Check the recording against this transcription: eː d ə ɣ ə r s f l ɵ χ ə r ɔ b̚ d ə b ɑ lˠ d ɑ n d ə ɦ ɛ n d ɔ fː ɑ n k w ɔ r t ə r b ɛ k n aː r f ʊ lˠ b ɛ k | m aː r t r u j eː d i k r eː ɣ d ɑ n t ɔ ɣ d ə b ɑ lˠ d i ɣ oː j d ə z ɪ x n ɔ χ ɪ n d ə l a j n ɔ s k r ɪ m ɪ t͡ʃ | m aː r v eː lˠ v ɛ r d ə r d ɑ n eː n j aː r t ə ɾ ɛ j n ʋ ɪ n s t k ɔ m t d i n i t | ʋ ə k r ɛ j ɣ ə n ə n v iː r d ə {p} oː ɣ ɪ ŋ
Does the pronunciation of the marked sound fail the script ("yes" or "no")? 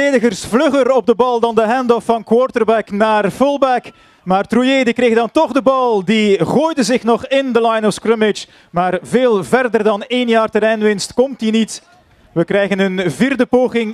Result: no